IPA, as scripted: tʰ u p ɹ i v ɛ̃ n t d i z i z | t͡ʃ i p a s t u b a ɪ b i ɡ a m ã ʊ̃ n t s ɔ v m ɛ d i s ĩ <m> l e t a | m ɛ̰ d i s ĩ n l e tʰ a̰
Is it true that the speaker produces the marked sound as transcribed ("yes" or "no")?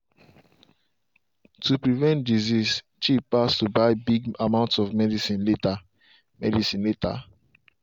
no